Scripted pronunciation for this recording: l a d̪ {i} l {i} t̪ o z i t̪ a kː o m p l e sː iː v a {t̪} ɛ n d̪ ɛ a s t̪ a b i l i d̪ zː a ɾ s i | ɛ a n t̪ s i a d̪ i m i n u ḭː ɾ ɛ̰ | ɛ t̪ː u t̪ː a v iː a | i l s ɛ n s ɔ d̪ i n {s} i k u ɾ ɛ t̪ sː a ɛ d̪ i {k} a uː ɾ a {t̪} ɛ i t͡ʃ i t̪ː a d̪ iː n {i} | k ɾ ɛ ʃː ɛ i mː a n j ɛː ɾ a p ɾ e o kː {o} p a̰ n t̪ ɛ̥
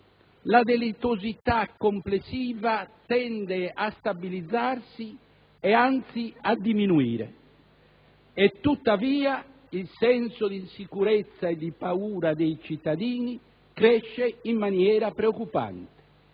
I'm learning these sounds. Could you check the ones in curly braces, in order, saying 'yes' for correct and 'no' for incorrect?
no, yes, yes, yes, no, no, yes, no

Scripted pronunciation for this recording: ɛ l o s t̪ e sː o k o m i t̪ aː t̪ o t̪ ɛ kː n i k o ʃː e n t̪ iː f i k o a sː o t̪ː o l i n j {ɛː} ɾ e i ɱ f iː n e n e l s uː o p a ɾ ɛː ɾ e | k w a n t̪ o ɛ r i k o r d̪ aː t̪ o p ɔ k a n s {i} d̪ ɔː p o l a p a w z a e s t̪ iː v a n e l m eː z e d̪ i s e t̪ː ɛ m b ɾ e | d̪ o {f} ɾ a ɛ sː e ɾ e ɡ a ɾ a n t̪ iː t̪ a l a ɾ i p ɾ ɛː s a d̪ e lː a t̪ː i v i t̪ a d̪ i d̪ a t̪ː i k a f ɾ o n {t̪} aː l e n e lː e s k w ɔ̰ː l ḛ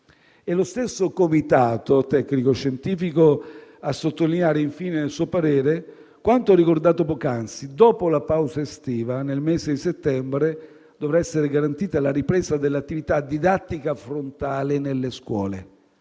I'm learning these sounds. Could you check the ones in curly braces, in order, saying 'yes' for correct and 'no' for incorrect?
no, yes, no, yes

